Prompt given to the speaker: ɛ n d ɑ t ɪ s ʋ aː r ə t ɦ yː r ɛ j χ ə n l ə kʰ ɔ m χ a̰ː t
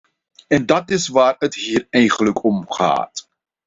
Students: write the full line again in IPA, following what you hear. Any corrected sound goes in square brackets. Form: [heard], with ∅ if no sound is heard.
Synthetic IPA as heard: ɛ n d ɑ t ɪ s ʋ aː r ə t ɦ [iː] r ɛ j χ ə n l ə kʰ ɔ m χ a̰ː t